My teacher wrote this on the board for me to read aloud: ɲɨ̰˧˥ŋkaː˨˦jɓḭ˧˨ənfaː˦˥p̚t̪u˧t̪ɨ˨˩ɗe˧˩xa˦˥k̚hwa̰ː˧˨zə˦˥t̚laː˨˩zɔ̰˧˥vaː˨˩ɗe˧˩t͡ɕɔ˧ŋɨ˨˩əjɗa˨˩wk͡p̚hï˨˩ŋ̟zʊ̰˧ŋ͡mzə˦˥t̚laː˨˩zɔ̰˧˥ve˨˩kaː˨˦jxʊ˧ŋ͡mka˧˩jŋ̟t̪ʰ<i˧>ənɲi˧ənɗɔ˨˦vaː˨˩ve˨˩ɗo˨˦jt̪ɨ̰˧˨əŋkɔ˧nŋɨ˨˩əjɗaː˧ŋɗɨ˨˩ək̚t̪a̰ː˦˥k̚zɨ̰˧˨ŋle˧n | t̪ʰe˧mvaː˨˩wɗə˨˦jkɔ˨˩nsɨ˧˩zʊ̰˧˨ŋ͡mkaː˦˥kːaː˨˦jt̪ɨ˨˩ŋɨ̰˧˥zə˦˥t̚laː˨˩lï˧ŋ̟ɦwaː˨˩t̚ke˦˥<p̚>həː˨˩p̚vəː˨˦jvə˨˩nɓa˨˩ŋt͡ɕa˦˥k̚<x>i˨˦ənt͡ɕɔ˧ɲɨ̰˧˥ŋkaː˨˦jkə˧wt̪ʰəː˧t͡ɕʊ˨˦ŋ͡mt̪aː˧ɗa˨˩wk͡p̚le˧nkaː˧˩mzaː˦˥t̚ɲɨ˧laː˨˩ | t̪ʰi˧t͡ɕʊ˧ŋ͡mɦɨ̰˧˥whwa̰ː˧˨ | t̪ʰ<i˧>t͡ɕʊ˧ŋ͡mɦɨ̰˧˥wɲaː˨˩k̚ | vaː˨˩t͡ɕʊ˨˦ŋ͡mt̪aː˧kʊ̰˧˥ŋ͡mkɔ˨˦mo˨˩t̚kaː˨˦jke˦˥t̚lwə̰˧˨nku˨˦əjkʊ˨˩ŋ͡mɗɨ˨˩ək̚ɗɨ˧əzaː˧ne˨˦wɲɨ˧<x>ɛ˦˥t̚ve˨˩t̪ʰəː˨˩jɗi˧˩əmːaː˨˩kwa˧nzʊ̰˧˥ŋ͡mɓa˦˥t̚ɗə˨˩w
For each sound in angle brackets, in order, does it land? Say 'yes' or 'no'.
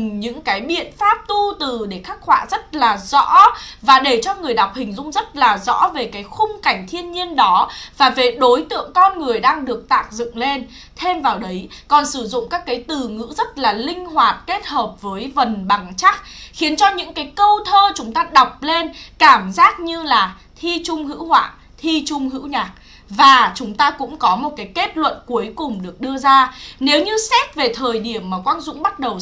yes, no, yes, yes, no

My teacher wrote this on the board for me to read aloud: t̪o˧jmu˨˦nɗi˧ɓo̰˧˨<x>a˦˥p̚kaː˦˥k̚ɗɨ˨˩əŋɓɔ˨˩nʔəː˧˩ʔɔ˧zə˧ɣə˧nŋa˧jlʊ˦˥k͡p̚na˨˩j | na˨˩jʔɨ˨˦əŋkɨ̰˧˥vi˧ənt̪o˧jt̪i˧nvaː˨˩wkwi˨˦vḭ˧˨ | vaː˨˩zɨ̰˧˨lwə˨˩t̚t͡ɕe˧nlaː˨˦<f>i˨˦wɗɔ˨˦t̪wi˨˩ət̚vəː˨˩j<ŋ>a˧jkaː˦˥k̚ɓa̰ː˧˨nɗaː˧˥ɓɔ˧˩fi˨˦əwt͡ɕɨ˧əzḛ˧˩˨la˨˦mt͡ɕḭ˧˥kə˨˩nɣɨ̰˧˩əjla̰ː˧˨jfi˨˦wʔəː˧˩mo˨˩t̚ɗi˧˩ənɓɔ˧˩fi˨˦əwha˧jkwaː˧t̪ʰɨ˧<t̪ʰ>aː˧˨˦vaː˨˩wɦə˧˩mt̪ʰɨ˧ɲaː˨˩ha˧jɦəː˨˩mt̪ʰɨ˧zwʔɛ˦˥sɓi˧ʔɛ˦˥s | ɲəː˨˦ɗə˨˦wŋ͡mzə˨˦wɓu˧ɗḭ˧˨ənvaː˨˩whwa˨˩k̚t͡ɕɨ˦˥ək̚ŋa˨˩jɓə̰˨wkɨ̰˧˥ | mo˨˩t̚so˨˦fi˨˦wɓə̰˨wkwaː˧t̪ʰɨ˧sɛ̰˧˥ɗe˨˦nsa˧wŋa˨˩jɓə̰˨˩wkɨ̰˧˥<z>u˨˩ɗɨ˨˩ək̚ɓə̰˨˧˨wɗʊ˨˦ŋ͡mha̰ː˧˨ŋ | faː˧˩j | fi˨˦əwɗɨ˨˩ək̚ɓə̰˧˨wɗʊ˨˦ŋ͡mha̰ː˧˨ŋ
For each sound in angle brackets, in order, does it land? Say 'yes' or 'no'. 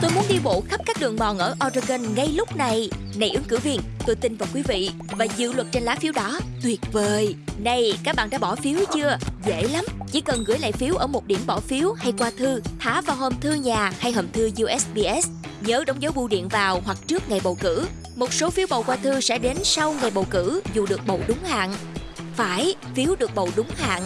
yes, yes, no, yes, yes

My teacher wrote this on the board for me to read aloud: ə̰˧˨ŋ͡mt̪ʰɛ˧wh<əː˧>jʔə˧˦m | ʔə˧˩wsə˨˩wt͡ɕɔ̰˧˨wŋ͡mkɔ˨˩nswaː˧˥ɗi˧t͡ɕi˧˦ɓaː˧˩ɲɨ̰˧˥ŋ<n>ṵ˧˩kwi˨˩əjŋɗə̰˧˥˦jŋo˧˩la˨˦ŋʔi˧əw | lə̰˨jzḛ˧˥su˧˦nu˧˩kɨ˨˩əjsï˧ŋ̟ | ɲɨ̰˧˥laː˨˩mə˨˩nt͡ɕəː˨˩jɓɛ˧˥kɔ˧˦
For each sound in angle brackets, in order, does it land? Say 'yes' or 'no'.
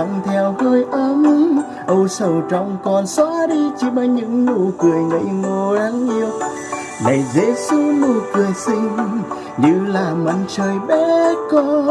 yes, yes

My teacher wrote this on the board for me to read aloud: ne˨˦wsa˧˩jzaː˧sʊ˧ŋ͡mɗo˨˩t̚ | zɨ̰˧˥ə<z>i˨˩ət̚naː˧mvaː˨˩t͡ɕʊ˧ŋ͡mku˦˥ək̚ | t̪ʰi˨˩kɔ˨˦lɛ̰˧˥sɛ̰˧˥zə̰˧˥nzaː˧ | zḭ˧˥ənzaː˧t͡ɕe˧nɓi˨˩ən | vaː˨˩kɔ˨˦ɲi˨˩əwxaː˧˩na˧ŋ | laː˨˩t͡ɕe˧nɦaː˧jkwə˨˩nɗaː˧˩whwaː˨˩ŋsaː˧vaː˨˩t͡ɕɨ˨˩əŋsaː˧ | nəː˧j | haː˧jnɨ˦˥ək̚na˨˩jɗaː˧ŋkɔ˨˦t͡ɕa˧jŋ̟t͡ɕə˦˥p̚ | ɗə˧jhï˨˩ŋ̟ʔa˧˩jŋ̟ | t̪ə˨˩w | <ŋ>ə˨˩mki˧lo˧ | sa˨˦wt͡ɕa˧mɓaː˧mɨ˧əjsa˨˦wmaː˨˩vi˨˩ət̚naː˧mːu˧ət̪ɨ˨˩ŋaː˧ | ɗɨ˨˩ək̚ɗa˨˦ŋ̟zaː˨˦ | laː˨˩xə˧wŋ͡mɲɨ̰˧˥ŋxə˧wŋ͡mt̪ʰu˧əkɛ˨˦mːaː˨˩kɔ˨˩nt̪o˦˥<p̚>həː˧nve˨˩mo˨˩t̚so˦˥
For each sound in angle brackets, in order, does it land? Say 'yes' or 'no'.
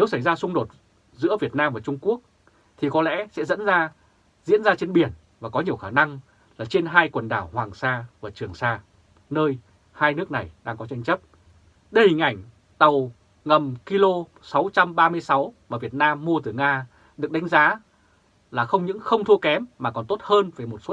no, yes, no

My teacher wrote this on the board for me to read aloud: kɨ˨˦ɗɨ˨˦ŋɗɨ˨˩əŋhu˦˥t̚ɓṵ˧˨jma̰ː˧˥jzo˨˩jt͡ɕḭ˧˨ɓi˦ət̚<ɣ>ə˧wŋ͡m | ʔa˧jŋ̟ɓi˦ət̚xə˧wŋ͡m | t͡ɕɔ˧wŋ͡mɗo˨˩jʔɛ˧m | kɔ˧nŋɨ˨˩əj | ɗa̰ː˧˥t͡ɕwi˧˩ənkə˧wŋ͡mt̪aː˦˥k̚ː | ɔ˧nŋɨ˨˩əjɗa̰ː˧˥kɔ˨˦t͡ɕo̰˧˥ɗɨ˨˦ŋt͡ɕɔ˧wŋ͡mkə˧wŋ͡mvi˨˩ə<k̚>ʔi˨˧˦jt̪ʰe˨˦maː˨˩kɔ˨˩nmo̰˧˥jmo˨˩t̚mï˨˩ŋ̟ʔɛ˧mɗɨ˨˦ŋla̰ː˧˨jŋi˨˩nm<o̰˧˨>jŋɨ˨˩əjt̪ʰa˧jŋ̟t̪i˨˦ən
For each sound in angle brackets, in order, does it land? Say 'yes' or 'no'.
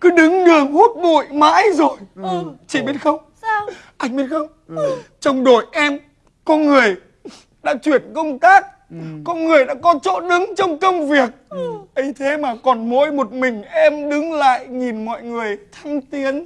no, yes, no

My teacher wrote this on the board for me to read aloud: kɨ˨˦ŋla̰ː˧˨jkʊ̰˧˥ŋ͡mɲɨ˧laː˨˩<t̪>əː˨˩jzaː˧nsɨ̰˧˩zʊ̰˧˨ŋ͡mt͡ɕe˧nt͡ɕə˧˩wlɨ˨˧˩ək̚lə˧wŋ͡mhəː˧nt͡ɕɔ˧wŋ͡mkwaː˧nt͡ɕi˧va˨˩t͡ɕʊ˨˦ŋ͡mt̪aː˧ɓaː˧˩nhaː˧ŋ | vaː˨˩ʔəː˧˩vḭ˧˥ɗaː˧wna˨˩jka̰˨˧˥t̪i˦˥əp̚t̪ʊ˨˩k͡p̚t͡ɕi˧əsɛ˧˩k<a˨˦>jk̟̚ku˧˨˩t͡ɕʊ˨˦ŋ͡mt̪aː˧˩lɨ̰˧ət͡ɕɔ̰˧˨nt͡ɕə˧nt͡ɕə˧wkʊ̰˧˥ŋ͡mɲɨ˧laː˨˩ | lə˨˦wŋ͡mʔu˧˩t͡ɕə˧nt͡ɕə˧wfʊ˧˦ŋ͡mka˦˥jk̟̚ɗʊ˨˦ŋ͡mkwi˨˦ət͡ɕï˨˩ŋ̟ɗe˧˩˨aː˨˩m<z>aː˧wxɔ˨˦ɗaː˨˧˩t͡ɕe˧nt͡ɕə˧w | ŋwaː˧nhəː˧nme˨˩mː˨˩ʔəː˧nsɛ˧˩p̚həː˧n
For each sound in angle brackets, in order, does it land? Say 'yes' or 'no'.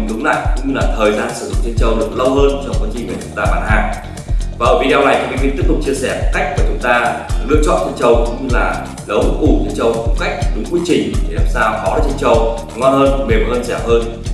no, no, no

